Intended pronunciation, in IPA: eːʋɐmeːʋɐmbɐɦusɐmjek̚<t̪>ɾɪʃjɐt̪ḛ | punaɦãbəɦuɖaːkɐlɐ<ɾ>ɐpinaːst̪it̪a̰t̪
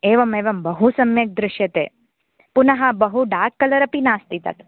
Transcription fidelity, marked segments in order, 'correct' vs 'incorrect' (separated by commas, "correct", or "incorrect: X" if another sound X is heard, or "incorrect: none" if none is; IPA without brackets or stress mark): incorrect: d̪, correct